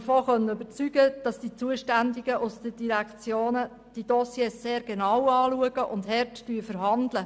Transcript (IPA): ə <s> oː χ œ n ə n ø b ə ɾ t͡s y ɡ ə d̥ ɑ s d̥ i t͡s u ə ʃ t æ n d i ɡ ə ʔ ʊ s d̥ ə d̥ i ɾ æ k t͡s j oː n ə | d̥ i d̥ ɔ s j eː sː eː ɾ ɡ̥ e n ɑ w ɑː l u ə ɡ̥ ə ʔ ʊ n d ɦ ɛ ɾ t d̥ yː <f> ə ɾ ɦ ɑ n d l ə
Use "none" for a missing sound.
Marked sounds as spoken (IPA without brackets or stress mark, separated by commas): f, f